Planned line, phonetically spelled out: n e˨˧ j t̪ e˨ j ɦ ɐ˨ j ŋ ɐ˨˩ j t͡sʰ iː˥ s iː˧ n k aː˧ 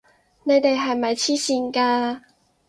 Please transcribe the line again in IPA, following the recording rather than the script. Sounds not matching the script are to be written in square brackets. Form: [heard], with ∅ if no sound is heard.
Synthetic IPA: n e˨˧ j t̪ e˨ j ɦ ɐ˨ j [m] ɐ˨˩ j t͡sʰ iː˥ s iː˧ n k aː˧